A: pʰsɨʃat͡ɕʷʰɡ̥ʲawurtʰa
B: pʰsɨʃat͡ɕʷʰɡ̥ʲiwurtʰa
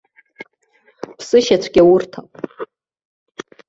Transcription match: A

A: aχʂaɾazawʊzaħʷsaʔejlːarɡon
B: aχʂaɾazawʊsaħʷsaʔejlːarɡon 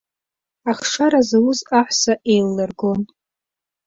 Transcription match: A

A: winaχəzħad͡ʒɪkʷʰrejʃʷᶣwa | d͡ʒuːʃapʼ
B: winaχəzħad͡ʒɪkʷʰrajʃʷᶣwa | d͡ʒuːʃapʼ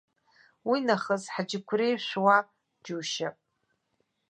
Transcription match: A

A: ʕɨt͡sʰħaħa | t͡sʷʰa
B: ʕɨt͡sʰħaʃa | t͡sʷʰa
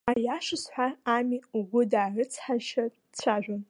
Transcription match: B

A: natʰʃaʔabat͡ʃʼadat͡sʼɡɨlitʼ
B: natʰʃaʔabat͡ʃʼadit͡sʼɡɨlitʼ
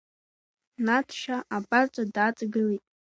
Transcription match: A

